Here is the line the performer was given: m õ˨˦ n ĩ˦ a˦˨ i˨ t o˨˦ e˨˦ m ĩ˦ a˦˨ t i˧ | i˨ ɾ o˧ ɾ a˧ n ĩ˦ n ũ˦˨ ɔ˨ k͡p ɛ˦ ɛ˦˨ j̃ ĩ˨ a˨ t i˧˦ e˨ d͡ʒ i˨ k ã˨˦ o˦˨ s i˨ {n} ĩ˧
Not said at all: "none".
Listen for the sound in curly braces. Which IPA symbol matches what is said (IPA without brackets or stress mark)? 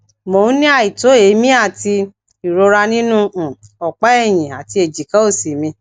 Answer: m